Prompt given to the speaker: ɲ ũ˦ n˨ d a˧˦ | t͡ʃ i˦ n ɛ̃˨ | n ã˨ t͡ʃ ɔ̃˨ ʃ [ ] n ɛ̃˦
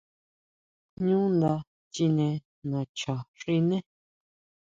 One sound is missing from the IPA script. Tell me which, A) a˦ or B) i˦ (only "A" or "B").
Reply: B